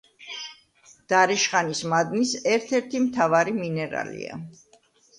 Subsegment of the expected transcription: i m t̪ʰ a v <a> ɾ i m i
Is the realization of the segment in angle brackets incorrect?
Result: no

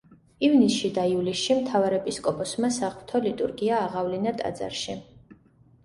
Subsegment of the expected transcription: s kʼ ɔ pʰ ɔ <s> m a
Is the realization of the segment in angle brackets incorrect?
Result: no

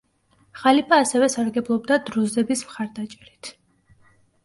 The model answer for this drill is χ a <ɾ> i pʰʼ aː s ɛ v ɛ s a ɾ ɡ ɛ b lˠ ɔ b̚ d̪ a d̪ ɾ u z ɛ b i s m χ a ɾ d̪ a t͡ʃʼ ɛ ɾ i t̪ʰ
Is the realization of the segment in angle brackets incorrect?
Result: yes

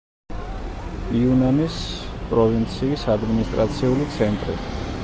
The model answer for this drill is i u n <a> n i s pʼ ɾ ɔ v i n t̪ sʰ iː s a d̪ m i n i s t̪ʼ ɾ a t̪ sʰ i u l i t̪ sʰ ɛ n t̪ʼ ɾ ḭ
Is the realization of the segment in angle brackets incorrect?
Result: no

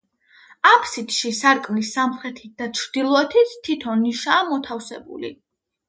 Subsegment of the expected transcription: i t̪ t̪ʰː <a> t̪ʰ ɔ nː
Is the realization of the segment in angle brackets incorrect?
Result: yes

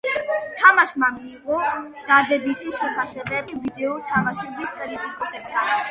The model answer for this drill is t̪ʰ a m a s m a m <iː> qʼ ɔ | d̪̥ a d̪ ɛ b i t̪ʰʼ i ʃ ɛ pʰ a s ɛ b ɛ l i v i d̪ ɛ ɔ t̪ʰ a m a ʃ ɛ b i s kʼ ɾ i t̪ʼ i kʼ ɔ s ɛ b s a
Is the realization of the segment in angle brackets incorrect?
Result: no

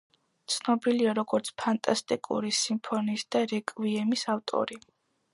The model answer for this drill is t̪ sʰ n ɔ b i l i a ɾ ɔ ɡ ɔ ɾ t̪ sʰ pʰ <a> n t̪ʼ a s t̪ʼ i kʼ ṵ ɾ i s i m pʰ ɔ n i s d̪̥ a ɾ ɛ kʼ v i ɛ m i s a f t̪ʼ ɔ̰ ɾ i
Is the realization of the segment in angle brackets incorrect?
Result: no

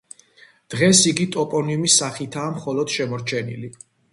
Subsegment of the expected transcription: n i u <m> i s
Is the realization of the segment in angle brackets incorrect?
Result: no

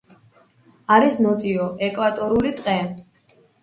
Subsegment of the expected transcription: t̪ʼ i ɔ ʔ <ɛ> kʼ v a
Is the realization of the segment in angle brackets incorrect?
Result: no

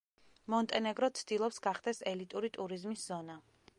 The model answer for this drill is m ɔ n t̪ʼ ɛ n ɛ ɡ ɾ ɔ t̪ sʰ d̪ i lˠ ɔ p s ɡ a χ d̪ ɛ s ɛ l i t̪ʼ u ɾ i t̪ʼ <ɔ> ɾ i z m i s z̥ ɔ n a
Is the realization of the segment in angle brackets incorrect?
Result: yes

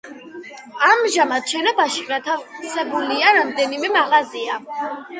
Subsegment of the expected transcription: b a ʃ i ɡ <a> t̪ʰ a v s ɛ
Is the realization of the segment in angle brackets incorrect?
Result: no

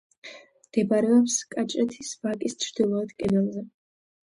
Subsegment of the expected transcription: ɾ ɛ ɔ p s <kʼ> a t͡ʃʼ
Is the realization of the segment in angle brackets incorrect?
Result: no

